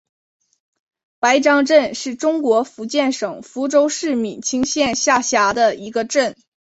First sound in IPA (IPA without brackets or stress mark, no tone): p